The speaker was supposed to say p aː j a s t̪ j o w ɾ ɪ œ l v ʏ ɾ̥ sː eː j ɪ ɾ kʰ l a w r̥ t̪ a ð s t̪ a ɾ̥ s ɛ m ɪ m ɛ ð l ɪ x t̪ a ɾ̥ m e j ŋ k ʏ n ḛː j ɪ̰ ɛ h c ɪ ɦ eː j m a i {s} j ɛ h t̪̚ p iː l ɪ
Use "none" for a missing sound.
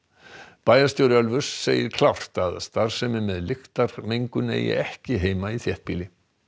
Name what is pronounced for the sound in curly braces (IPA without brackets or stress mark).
θ